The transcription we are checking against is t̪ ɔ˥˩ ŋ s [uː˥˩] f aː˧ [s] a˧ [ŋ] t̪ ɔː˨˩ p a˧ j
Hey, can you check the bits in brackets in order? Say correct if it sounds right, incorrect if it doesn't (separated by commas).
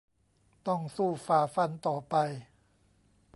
correct, incorrect, incorrect